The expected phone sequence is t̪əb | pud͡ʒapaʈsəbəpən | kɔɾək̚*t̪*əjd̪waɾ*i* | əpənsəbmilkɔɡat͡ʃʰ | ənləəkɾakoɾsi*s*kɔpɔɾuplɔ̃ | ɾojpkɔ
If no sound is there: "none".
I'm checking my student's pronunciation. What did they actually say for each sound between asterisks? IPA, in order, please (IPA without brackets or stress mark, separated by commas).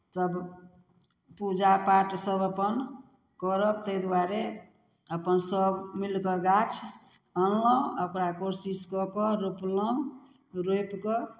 t̪, e, s